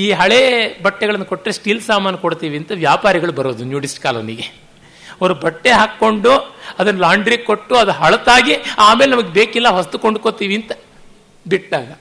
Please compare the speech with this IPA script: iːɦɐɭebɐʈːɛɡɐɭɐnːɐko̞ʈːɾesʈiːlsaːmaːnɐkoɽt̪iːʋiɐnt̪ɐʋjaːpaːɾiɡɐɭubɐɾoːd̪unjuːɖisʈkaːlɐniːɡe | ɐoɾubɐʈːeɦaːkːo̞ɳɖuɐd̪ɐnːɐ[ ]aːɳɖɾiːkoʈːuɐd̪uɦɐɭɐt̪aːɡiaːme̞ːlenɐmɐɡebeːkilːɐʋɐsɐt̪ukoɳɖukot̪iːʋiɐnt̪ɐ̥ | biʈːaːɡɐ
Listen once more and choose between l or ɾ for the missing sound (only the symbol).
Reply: l